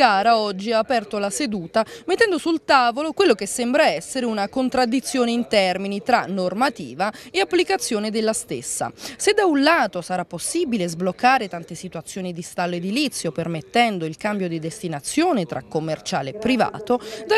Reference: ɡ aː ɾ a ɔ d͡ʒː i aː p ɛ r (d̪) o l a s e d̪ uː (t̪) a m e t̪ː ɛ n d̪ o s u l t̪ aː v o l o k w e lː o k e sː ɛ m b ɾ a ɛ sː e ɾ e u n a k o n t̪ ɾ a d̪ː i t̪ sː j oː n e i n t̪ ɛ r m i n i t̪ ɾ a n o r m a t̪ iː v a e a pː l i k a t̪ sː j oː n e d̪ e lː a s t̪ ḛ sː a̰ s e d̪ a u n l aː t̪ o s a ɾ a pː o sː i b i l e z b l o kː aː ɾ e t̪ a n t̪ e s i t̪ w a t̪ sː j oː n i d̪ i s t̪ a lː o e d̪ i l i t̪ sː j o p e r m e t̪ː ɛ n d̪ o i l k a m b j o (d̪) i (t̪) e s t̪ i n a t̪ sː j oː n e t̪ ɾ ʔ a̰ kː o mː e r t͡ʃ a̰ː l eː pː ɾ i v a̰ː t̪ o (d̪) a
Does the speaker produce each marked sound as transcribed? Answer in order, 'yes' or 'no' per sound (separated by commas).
no, yes, yes, no, yes